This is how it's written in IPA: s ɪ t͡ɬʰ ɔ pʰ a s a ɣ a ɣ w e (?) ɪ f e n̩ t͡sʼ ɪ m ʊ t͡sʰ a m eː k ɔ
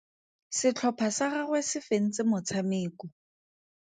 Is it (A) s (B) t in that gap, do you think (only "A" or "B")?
A